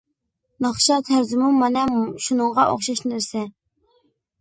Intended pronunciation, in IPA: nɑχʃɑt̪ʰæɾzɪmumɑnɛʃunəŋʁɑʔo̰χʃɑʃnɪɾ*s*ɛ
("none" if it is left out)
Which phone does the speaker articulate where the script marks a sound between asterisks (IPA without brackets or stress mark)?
s